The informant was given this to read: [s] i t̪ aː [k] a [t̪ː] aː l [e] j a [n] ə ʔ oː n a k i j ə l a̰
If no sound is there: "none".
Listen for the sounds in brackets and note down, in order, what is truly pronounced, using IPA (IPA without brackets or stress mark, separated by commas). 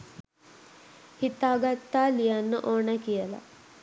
h, ɡ, t̪ː, i, nː